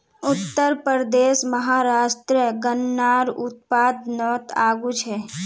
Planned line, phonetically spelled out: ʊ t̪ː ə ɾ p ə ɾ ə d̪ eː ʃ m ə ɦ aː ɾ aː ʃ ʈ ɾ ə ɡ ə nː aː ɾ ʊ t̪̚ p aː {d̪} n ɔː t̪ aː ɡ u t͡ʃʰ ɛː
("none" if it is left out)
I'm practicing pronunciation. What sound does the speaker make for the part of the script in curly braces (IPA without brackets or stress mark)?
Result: d̪